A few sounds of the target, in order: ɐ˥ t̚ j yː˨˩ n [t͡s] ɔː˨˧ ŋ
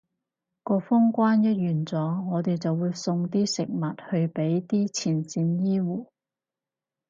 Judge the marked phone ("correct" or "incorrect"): correct